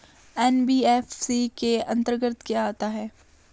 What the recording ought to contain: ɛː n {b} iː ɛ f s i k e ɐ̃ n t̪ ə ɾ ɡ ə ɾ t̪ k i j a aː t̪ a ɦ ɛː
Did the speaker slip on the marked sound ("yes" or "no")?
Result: no